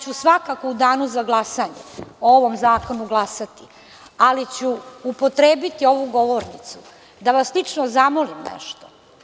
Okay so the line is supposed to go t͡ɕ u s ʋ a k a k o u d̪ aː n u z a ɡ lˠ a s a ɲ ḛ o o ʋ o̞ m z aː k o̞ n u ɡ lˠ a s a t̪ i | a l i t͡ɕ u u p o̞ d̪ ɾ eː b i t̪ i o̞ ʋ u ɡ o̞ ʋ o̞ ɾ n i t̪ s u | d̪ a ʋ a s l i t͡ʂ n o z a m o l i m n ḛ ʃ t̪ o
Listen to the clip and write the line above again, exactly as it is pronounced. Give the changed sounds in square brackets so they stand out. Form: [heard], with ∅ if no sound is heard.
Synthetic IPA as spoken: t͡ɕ u s ʋ a k a k o u d̪ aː n u z a ɡ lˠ a s a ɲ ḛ o o ʋ o̞ m z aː k o̞ n u ɡ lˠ a s a t̪ i | a l i t͡ɕ u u p o̞ [t̪] ɾ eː b i t̪ i o̞ ʋ u ɡ o̞ ʋ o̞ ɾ n i t̪ s u | d̪ a ʋ a s l i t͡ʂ n o z a m o l i m n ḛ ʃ t̪ o